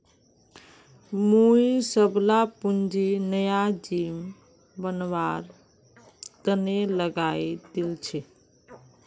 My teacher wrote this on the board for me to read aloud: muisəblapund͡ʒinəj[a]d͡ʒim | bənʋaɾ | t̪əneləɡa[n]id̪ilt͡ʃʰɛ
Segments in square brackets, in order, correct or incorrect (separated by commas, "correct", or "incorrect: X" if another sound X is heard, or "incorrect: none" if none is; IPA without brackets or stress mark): correct, incorrect: none